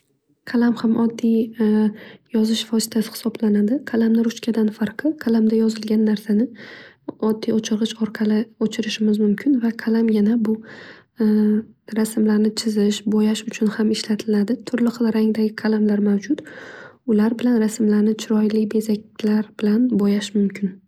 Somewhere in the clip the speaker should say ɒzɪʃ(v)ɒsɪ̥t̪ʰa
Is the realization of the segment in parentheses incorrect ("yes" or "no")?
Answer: yes